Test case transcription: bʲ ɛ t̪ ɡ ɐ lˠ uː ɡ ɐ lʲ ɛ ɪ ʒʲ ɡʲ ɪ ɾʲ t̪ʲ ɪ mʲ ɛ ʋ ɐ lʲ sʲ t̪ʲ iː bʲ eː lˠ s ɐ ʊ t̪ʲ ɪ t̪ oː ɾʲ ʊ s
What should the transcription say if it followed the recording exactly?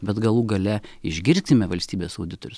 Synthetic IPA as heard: bʲ ɛ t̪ ɡ ɐ lˠ uː ɡ ɐ lʲ ɛ ɪ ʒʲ ɡʲ ɪ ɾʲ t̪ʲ ɪ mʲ ɛ ʋ ɐ lʲ sʲ t̪ʲ iː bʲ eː s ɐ ʊ d̪ʲ ɪ t̪ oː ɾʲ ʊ s